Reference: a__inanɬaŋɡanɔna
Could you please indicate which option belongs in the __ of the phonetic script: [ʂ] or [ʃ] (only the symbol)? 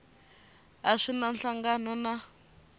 ʂ